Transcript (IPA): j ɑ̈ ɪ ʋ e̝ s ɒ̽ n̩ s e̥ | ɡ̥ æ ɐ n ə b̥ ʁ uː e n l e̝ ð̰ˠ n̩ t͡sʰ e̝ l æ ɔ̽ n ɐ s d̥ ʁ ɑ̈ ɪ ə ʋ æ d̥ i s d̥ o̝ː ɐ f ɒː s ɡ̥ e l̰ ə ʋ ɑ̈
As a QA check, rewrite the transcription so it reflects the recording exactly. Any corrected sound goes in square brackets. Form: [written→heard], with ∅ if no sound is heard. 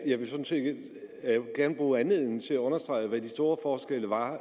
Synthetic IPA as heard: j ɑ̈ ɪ ʋ e̝ s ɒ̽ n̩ s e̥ | ɡ̥ æ ɐ n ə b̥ ʁ uː [e→æ] n l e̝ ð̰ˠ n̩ t͡sʰ e̝ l æ ɔ̽ n ɐ s d̥ ʁ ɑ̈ ɪ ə ʋ æ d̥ i s d̥ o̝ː ɐ f ɒː s ɡ̥ e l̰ ə ʋ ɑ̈

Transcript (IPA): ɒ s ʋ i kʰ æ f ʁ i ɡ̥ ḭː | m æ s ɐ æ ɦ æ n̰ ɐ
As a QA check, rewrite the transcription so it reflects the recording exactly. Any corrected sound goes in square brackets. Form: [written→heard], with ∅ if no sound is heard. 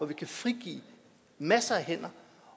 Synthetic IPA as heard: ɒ [s→∅] ʋ i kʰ æ f ʁ i ɡ̥ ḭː | m æ s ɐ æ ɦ [æ→e] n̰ ɐ

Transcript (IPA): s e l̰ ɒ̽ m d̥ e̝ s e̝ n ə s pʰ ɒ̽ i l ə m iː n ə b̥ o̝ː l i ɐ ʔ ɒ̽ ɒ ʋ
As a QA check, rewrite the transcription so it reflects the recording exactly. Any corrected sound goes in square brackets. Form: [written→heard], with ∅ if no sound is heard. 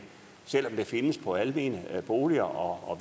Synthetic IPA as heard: s e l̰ ɒ̽ m d̥ e̝ [s→f] e̝ n ə s pʰ ɒ̽ [i→æ] l ə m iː n ə b̥ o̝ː l i ɐ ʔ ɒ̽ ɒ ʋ

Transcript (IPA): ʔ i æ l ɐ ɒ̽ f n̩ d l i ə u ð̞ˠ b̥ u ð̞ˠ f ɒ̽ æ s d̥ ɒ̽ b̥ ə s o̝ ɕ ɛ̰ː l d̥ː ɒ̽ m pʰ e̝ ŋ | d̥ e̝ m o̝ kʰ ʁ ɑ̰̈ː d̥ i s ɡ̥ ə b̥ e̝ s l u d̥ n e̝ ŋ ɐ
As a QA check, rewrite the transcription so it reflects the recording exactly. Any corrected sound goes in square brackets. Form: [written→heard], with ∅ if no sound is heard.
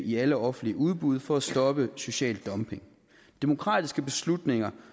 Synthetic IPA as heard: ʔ i æ l [ɐ→ə] ɒ̽ f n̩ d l i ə u ð̞ˠ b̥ u ð̞ˠ f ɒ̽ æ s d̥ ɒ̽ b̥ ə s o̝ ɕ ɛ̰ː l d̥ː ɒ̽ m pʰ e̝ ŋ | d̥ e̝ m o̝ kʰ ʁ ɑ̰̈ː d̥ i s ɡ̥ ə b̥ e̝ s l u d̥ n e̝ ŋ ɐ

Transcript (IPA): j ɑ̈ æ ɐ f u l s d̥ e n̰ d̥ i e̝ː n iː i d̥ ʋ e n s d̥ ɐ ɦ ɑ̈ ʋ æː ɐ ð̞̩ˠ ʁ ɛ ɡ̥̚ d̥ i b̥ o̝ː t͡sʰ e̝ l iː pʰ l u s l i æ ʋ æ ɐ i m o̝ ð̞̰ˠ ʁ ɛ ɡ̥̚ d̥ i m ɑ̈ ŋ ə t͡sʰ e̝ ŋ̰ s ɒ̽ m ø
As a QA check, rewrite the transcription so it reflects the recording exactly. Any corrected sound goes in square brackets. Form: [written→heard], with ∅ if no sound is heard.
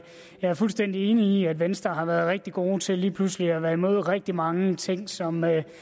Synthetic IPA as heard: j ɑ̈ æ ɐ f u l s d̥ e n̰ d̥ i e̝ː n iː [i→æ] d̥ ʋ e n s d̥ ɐ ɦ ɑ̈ ʋ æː ɐ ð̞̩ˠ ʁ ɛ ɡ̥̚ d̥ i [b̥→ɡ̥] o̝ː t͡sʰ e̝ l iː pʰ l u s l i æ ʋ æ ɐ i m o̝ ð̞̰ˠ ʁ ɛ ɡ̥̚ d̥ i m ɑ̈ ŋ ə t͡sʰ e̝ ŋ̰ s ɒ̽ m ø

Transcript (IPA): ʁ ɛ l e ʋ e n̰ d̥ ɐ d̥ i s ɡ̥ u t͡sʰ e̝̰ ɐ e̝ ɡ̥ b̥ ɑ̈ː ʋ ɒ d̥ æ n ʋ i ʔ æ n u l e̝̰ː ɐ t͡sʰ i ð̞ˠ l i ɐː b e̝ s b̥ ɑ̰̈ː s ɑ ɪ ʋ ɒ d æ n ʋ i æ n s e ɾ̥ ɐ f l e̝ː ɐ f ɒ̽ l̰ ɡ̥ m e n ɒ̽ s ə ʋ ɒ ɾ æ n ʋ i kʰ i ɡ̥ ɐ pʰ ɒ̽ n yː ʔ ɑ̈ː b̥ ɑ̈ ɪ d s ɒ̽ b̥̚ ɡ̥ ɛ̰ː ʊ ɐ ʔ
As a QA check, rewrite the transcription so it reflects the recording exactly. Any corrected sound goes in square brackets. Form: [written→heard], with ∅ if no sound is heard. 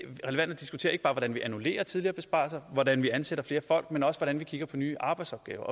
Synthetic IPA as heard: ʁ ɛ l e ʋ [e→æ] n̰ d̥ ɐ d̥ i s ɡ̥ u t͡sʰ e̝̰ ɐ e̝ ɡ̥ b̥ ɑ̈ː ʋ ɒ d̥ æ n ʋ i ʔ æ n u l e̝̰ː ɐ t͡sʰ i ð̞ˠ l i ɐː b e̝ s b̥ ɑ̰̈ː s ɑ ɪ ʋ ɒ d æ n ʋ i æ n s e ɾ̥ ɐ f l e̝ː ɐ f ɒ̽ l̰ ɡ̥ m e n ɒ̽ s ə ʋ ɒ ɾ æ n ʋ i kʰ i ɡ̥ ɐ pʰ ɒ̽ n yː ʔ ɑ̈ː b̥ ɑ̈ ɪ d s ɒ̽ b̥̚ ɡ̥ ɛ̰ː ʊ ɐ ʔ

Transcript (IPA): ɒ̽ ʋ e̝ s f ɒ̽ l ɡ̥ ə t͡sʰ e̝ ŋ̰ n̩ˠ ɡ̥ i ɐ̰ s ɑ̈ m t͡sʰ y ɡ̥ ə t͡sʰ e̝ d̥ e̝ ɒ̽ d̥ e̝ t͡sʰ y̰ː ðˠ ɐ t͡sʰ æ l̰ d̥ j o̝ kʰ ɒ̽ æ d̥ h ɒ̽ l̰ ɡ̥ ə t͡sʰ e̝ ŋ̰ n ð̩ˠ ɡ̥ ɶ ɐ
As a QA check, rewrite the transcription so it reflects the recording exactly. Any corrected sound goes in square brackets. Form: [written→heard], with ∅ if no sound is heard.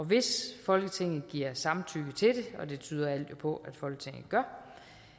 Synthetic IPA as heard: ɒ̽ ʋ e̝ s f ɒ̽ l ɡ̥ ə t͡sʰ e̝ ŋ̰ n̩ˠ ɡ̥ i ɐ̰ s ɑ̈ m t͡sʰ y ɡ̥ ə t͡sʰ e̝ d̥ e̝ ɒ̽ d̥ e̝ t͡sʰ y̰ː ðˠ ɐ [t͡sʰ→∅] æ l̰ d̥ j o̝ [kʰ→pʰ] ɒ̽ æ d̥ [h→f] ɒ̽ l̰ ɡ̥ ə t͡sʰ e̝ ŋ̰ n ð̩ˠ ɡ̥ ɶ ɐ

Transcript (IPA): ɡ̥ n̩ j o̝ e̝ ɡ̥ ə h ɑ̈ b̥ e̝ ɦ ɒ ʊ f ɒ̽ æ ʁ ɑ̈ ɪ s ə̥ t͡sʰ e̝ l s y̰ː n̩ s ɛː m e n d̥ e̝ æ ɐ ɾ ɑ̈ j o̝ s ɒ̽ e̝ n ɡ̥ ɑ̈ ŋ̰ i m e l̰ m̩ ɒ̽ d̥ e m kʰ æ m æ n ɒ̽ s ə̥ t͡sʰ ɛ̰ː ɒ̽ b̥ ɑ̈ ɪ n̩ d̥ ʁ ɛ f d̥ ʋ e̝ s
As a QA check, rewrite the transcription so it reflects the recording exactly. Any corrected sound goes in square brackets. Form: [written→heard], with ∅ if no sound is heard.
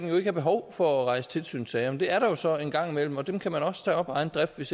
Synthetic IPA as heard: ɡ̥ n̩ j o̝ e̝ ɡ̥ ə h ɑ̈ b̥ e̝ ɦ ɒ ʊ f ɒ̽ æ ʁ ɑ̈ ɪ s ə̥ t͡sʰ e̝ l s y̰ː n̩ s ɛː m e n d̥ e̝ æ ɐ ɾ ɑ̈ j o̝ s ɒ̽ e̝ n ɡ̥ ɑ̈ ŋ̰ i m e l̰ m̩ ɒ̽ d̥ e m kʰ æ m æ n ɒ̽ s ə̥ t͡sʰ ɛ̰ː ɒ̽ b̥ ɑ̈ ɪ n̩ d̥ ʁ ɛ f d̥ ʋ e̝ s

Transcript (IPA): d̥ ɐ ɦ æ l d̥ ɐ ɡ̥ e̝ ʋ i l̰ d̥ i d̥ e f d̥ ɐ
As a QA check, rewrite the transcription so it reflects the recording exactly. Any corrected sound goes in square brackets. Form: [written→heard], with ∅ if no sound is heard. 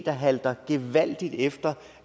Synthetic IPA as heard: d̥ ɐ ɦ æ l d̥ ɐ ɡ̥ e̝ ʋ [i→æ] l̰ d̥ i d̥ e f d̥ ɐ

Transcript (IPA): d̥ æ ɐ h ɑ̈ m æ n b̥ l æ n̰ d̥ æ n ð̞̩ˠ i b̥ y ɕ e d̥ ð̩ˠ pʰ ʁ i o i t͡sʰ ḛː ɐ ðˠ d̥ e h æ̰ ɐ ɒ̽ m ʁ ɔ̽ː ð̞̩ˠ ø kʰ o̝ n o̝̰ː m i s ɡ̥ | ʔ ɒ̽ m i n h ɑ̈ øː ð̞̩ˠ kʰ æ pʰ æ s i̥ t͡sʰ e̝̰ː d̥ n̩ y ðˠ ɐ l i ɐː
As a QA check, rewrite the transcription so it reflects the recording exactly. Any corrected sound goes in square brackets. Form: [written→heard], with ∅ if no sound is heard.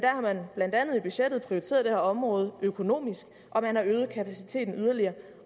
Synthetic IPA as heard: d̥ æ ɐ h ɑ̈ m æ n b̥ l æ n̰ d̥ æ n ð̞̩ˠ i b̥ y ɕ e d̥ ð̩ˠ pʰ ʁ i o i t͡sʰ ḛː ɐ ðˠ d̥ e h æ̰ ɐ ɒ̽ m ʁ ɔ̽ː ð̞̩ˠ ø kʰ o̝ n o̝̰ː m i s ɡ̥ | ʔ ɒ̽ m [i→æ] n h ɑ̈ øː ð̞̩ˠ kʰ æ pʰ æ s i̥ t͡sʰ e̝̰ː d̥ n̩ y ðˠ ɐ l i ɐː

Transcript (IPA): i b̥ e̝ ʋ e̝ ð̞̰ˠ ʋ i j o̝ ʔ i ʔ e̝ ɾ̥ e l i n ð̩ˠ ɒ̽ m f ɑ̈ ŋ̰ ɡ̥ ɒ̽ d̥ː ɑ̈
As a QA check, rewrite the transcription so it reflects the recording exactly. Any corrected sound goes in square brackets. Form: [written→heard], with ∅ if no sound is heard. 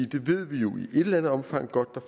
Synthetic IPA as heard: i [b̥→d̥] e̝ ʋ e̝ ð̞̰ˠ ʋ i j o̝ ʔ i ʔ e̝ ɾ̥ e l [i→æ] n ð̩ˠ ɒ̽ m f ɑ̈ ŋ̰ ɡ̥ ɒ̽ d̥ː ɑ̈

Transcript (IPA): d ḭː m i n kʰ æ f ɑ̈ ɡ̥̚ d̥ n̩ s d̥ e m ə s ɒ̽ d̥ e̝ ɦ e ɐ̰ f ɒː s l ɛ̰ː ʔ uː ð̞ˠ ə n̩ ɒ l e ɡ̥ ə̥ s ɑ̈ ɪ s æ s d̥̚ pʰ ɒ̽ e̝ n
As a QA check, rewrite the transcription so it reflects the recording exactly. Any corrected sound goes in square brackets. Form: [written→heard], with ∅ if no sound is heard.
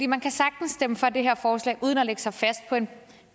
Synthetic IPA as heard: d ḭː m [i→æ] n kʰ æ [f→s] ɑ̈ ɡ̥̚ d̥ n̩ s d̥ e m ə [s→f] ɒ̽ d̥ e̝ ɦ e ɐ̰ f ɒː s l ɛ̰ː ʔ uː ð̞ˠ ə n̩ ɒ l e ɡ̥ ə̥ s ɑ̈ ɪ [s→f] æ s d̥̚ pʰ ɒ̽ e̝ n

